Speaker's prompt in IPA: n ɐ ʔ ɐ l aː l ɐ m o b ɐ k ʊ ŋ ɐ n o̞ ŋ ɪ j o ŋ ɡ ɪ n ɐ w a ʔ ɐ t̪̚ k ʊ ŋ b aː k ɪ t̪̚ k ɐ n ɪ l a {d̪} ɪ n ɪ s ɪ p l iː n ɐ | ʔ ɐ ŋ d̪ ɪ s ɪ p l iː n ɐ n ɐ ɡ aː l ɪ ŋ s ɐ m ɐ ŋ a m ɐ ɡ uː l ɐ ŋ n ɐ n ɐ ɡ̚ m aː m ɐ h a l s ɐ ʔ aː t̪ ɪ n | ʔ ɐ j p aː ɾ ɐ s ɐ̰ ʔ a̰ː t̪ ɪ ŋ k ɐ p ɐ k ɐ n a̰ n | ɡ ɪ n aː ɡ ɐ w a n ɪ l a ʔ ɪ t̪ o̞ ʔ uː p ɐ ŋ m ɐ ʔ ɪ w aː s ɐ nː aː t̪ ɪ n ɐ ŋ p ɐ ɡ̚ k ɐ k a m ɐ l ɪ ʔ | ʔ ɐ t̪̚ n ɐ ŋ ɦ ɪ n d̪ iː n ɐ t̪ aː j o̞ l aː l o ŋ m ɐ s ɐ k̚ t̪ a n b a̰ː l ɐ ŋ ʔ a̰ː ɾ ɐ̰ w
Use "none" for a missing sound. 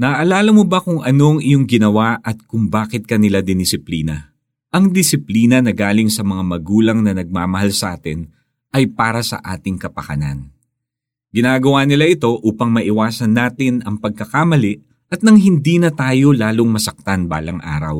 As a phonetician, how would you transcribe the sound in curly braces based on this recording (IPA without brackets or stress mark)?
d̪